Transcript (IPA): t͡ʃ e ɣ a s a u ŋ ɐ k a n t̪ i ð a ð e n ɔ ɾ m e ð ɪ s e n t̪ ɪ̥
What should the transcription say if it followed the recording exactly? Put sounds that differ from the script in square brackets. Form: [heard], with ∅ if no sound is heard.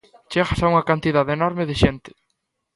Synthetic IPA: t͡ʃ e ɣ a s a u ŋ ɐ k a n t̪ i ð a ð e n ɔ ɾ m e ð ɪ [ʃ] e n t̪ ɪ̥